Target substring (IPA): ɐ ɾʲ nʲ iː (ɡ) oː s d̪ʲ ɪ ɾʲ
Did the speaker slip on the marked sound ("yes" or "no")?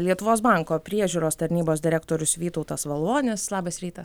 yes